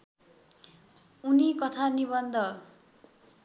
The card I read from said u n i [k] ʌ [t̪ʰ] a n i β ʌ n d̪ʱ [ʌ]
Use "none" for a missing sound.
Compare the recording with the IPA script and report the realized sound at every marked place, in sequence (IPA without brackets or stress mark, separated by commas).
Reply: k, t̪ʰ, ʌ